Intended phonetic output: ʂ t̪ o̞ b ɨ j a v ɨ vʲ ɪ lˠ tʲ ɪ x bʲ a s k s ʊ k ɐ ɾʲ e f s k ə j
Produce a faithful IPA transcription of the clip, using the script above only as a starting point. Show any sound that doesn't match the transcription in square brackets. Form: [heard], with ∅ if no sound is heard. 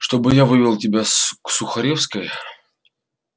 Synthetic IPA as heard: ʂ t̪ o̞ b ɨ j a v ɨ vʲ ɪ lˠ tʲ ɪ [∅] bʲ a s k s ʊ [x] ɐ ɾʲ e f s k ə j